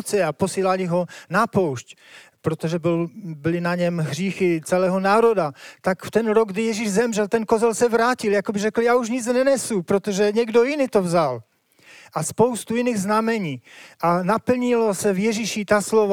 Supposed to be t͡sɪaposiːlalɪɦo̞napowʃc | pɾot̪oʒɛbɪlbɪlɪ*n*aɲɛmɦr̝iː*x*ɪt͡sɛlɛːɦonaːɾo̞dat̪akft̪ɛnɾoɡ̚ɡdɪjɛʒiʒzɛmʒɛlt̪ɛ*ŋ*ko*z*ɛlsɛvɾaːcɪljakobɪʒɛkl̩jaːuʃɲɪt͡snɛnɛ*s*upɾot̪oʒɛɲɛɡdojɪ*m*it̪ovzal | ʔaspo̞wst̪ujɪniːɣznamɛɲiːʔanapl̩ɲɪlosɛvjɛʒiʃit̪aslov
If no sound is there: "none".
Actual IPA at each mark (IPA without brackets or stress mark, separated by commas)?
n, x, n, z, s, n